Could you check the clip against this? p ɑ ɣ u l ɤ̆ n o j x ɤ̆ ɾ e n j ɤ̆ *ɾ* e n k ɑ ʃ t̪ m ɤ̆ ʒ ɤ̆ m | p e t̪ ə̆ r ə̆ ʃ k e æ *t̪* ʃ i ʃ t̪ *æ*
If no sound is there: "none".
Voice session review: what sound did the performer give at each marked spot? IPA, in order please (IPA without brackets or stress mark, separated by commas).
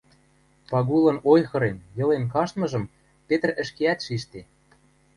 l, t̪, e